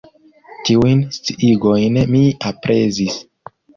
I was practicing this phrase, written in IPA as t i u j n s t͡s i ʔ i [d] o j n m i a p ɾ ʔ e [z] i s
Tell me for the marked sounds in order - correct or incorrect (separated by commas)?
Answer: incorrect, correct